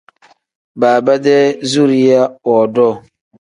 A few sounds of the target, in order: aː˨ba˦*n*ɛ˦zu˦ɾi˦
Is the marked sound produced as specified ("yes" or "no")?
no